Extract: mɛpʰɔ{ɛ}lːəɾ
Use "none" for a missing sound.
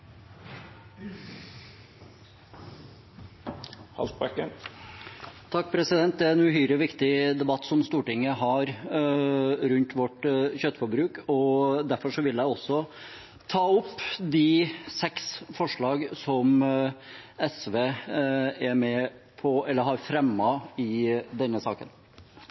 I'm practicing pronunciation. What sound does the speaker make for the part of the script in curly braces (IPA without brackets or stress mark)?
ɛ